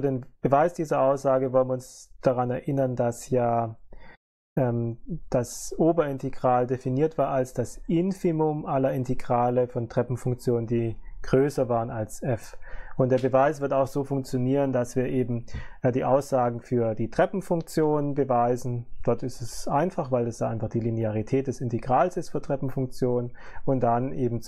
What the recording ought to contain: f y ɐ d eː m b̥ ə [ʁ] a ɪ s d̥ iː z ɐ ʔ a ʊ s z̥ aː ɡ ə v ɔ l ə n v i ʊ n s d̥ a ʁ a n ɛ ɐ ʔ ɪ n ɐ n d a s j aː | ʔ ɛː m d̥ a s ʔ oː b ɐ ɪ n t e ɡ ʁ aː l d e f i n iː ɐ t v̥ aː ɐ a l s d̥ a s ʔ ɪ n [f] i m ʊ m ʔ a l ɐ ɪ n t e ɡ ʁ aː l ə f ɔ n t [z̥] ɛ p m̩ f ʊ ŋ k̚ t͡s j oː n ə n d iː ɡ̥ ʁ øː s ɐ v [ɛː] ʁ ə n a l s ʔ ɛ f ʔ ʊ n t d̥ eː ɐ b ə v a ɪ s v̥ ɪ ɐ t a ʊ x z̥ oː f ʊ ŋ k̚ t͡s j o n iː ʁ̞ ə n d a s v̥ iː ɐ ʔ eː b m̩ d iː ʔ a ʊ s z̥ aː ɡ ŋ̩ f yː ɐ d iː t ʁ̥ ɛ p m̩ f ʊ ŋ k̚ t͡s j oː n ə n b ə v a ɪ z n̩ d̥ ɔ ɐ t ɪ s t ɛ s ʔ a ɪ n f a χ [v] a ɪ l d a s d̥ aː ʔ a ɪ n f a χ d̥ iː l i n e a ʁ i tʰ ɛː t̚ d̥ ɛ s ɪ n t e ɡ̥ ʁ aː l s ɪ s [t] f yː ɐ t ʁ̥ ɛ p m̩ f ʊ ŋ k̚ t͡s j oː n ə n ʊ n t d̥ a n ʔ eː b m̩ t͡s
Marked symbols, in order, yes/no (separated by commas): no, yes, no, no, yes, yes